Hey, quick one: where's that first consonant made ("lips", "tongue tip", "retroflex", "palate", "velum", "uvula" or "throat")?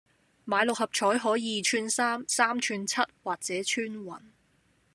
lips